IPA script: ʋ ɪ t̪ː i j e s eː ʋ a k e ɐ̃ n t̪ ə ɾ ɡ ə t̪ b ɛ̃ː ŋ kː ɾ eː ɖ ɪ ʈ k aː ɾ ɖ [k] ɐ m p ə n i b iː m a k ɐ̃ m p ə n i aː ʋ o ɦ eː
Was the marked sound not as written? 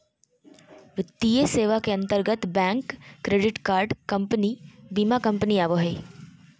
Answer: no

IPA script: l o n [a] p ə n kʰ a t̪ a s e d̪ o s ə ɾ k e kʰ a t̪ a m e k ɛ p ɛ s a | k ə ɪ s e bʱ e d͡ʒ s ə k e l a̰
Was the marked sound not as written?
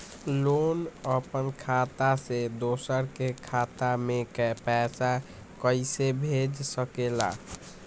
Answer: yes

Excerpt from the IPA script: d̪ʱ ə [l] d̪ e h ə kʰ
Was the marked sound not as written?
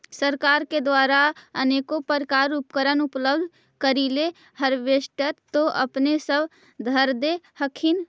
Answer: yes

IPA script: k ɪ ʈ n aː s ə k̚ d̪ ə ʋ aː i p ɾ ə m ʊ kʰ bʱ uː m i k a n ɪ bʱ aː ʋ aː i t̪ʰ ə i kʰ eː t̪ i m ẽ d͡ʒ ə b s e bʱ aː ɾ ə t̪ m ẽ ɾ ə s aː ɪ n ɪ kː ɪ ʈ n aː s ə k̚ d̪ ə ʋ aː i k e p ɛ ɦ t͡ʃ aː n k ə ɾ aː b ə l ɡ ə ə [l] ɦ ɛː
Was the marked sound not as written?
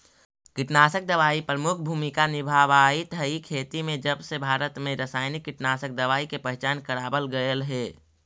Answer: no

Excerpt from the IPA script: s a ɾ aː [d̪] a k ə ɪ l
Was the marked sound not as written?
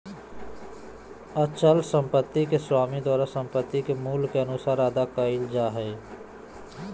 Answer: no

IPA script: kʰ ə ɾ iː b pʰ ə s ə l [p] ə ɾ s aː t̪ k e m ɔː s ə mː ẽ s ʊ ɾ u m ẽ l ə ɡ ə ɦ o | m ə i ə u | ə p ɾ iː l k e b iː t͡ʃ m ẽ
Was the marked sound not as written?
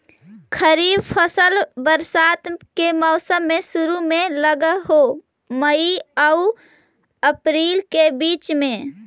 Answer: yes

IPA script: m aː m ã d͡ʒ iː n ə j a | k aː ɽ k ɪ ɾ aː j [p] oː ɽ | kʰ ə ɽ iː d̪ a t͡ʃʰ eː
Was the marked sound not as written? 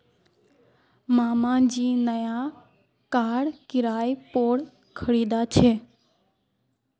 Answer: no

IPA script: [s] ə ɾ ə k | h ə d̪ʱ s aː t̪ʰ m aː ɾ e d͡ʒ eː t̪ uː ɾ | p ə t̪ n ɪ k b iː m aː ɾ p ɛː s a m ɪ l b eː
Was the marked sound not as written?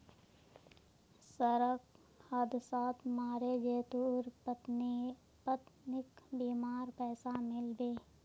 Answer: no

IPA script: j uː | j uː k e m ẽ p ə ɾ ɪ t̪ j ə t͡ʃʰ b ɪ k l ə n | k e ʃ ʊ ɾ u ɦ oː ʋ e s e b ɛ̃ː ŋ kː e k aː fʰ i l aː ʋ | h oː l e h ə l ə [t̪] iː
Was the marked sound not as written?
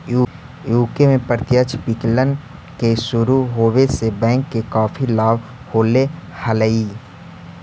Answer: yes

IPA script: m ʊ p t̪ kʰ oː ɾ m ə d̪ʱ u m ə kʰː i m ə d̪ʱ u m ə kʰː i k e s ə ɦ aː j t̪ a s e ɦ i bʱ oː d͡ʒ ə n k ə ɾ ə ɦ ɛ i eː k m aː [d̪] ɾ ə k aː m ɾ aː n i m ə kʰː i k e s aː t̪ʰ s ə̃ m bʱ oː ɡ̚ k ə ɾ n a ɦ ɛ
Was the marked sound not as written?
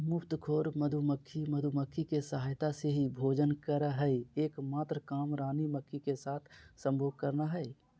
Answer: yes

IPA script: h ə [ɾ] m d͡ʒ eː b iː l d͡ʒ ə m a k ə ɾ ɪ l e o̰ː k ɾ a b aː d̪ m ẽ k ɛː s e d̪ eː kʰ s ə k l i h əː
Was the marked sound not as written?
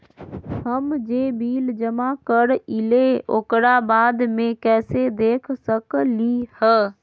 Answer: yes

